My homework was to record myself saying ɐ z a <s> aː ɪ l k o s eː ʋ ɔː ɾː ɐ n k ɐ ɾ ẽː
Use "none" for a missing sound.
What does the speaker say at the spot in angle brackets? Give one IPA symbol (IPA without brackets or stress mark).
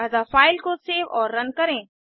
f